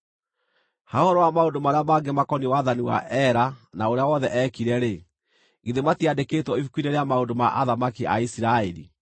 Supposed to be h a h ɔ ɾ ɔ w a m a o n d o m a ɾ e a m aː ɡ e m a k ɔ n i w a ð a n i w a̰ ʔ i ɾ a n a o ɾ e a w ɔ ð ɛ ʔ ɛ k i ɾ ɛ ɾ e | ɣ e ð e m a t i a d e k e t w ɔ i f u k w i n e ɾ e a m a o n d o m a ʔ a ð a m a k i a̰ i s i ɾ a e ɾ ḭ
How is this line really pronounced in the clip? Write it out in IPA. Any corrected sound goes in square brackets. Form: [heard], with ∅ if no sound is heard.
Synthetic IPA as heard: h a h ɔ ɾ ɔ w a m a o n d o m a ɾ e a m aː ɡ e m a k ɔ n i w a ð a n i w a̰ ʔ [ɛ] ɾ a n a o ɾ e a w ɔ ð ɛ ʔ ɛ k i ɾ ɛ ɾ e | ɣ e ð e m a t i a d e k e t w ɔ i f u k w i n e ɾ e a m a o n d o m a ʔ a ð a m a k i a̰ i s i ɾ a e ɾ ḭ

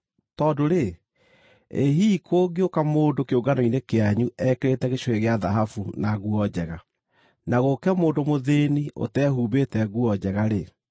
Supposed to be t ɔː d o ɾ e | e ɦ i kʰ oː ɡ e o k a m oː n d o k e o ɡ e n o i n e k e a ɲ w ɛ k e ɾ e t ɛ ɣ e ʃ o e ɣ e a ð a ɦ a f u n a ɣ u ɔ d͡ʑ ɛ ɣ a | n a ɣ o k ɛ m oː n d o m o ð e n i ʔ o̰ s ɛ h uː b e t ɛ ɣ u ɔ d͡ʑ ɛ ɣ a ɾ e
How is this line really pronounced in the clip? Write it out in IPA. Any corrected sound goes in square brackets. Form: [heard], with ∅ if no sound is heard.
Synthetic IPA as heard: t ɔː d o ɾ e | e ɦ i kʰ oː ɡ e o k a m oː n d o k e o ɡ [a] n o i n e k e a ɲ [u] ɛ k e ɾ e t ɛ ɣ e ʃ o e ɣ e a ð a ɦ a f u n a ɣ u ɔ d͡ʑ ɛ ɣ a | n a ɣ o k ɛ m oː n d o m o ð e n i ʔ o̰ [t] ɛ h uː b e t ɛ ɣ u ɔ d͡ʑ ɛ ɣ a ɾ e

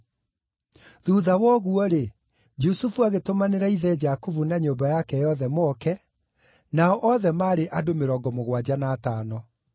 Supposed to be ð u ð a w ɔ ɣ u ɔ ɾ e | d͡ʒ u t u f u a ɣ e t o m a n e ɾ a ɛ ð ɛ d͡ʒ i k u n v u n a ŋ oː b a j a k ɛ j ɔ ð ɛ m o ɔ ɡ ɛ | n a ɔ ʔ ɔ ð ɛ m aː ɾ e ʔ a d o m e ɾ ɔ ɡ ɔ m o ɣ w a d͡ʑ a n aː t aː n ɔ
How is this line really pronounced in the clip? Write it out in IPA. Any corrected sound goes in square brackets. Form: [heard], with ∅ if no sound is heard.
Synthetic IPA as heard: ð u ð a w ɔ ɣ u ɔ ɾ e | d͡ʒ u [s] u f u a ɣ e t o m a n e ɾ a [i] ð ɛ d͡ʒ [a] k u [∅] v u n a [ɲ] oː b a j a k ɛ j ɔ ð ɛ m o ɔ [k] ɛ | n a ɔ ʔ ɔ ð ɛ m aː ɾ e ʔ a d o m e ɾ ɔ ɡ ɔ m o ɣ w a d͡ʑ a n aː t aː n ɔ

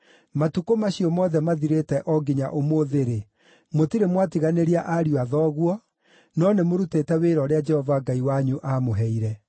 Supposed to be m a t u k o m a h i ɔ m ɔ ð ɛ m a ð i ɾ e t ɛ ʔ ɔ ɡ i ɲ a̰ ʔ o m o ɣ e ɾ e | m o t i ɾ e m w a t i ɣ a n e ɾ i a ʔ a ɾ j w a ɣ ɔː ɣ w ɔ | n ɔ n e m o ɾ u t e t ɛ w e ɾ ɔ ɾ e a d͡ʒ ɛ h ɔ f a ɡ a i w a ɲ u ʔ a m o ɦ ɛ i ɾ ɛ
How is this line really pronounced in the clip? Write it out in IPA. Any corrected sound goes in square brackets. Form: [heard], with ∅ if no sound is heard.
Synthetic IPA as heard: m a t u k o m a [ɕ] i ɔ m ɔ ð ɛ m a ð i ɾ e t ɛ ʔ ɔ ɡ i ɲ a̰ ʔ o m o [ð] e ɾ e | m o t i ɾ e m w a t i ɣ a n e ɾ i a ʔ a ɾ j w a [ð] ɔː ɣ w ɔ | n ɔ n e m o ɾ u t e t ɛ w e ɾ ɔ ɾ e a d͡ʒ ɛ h ɔ [v] a ɡ a i w a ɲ u ʔ a m o ɦ ɛ i ɾ ɛ

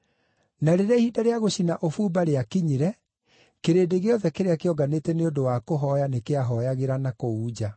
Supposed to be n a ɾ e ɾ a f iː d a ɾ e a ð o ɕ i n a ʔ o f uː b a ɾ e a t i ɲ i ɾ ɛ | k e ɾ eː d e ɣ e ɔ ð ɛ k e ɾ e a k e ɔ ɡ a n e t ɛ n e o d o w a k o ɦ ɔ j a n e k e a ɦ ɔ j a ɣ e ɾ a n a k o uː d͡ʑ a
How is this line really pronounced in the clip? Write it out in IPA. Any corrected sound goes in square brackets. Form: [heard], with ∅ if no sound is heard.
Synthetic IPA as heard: n a ɾ e ɾ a [h] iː d a ɾ e a [ɣ] o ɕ i n a ʔ o f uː b a ɾ e a [k] i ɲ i ɾ ɛ | k e ɾ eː d e ɣ e ɔ ð ɛ k e ɾ e a k e ɔ ɡ a n e t ɛ n e o d o w a k o ɦ ɔ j a n e k e a ɦ ɔ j a ɣ e ɾ a n a k o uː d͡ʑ a

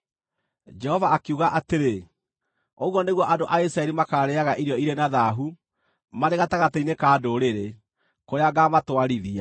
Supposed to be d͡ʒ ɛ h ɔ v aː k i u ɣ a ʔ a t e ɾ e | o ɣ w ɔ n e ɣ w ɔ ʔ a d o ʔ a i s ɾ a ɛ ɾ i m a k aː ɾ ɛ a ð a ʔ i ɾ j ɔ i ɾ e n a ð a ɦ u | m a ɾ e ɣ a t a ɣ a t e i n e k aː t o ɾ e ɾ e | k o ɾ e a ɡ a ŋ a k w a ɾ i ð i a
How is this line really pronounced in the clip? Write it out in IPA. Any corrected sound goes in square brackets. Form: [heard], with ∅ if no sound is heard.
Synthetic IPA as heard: d͡ʒ ɛ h ɔ v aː k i u ɣ a ʔ a t e ɾ e | o ɣ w ɔ n e ɣ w ɔ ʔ a d o ʔ a i s ɾ a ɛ ɾ i m a k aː ɾ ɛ a [ɣ] a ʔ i ɾ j ɔ i ɾ e n a ð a ɦ u | m a ɾ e ɣ a t a ɣ a t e i n e k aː [d] o ɾ e ɾ e | k o ɾ e a ɡ a [m] a [t] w a ɾ i ð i a

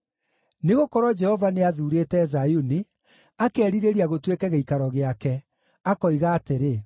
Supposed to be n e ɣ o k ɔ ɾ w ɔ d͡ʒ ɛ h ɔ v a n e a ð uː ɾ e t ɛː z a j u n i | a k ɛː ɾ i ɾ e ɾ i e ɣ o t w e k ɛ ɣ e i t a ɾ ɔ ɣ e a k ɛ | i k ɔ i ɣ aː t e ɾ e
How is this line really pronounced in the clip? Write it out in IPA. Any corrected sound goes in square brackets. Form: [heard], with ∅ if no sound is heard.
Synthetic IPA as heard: n e ɣ o k ɔ ɾ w ɔ d͡ʒ ɛ h ɔ v a n e a ð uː ɾ e t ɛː z a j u n i | a k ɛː ɾ i ɾ e ɾ i [a] ɣ o t w e k ɛ ɣ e i [k] a ɾ ɔ ɣ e a k ɛ | [a] k ɔ i ɣ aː t e ɾ e

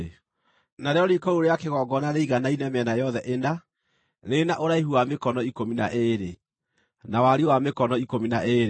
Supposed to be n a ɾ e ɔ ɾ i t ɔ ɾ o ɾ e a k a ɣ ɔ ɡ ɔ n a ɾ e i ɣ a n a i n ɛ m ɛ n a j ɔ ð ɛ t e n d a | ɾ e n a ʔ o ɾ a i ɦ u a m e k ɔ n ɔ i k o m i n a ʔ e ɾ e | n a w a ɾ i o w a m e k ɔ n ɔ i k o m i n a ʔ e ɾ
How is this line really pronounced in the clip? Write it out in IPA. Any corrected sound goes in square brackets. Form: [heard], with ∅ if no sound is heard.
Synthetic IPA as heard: n a ɾ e ɔ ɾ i [k] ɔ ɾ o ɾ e a k [e] ɣ ɔ ɡ ɔ n a ɾ e i ɣ a n a i n ɛ m ɛ n a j ɔ ð ɛ [ʔ] e n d a | ɾ e n a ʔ o ɾ a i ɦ u a m e k ɔ n ɔ i k o m i n a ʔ e ɾ e | n a w a ɾ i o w a m e k ɔ n ɔ i k o m i n a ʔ e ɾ

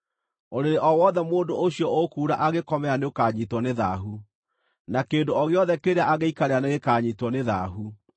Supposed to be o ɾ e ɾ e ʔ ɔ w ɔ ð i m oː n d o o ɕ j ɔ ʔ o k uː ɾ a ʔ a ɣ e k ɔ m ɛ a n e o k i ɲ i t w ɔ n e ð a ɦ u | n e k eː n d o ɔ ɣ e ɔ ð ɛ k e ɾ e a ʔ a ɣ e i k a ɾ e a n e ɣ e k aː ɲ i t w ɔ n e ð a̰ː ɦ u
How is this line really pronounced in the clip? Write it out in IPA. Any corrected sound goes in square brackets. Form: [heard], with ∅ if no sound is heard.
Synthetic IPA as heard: o ɾ e ɾ e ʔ ɔ w ɔ ð [ɛ] m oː n d o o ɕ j ɔ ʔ o k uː ɾ a ʔ a ɣ e k ɔ m ɛ a n e o k [a] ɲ i t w ɔ n e ð a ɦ u | n [a] k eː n d o ɔ ɣ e ɔ ð ɛ k e ɾ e a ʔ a ɣ e i k a ɾ e a n e ɣ e k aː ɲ i t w ɔ n e ð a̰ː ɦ u

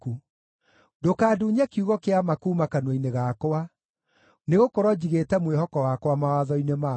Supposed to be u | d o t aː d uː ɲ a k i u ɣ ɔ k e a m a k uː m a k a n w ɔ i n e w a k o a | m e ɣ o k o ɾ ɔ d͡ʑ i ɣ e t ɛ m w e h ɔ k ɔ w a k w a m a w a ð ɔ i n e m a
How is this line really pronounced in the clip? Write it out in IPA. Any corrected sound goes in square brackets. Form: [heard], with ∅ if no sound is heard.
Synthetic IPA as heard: u | d o [k] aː d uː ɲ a k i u ɣ ɔ k e a m a k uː m a k a n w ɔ i n e [ɣ] a k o a | [n] e ɣ o k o ɾ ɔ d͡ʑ i ɣ e t ɛ m w e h ɔ k ɔ w a k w a m a w a ð ɔ i n e m a

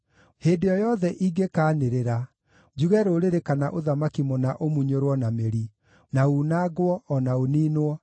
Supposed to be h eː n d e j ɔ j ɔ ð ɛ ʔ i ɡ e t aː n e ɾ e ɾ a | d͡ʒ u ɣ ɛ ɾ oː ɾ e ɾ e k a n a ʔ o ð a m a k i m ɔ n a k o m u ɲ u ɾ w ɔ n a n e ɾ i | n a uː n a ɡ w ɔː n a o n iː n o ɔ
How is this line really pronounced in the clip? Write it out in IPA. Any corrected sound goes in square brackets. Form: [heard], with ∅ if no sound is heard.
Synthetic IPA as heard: h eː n d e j ɔ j ɔ ð ɛ ʔ i ɡ e [k] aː n e ɾ e ɾ a | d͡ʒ u ɣ ɛ ɾ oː ɾ e ɾ e k a n a ʔ o ð a m a k i m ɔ n a [ʔ] o m u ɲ [o] ɾ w ɔ n a [m] e ɾ i | n a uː n a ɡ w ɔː n a o n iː n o ɔ

